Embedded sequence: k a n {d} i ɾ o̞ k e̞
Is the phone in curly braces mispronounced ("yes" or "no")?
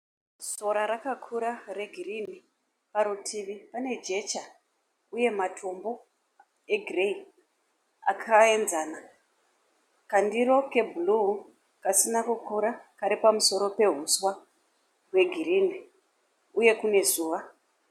no